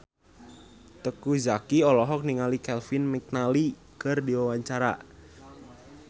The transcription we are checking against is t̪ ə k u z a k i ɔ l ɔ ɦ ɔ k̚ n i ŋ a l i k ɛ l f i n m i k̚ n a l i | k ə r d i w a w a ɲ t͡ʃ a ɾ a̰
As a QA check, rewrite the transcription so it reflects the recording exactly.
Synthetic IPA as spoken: t̪ ə k u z a k i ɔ l ɔ ɦ ɔ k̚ n i ŋ a l i k ɛ l f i n m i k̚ n a l i | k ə r d i w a w a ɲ t͡ʃ a ɾ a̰